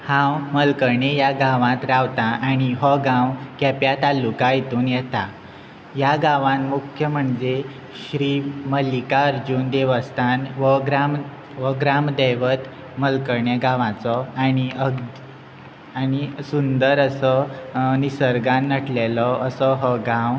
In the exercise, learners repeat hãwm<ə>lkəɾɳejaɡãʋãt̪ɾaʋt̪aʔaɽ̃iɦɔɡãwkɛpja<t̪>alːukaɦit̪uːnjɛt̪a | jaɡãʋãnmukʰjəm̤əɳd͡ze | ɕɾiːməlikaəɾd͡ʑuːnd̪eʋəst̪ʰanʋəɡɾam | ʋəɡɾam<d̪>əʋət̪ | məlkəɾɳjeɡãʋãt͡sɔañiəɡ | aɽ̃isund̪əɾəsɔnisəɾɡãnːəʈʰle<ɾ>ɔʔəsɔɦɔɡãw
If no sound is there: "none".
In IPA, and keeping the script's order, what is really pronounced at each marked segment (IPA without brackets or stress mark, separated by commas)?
ə, t̪, d̪, l